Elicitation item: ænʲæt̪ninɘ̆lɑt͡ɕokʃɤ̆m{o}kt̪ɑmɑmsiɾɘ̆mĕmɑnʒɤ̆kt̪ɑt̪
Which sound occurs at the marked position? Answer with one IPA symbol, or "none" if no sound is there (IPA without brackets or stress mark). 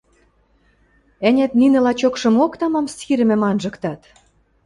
o